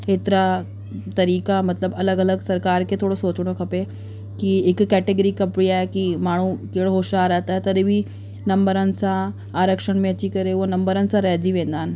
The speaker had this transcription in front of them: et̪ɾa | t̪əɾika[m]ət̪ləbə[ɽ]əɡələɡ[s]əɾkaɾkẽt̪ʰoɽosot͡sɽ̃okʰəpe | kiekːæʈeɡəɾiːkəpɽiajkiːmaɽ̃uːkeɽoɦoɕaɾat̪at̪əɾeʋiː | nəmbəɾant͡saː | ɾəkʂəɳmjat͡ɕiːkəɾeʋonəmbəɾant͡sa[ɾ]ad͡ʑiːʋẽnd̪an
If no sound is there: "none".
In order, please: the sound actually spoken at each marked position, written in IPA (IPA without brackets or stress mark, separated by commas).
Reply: m, l, s, ɾ